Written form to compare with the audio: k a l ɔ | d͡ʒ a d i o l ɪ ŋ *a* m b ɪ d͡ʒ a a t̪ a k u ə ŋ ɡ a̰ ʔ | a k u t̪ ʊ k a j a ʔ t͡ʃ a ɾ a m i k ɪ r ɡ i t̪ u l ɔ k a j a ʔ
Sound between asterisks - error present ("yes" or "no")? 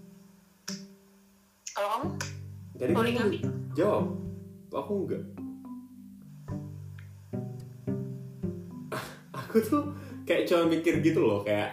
no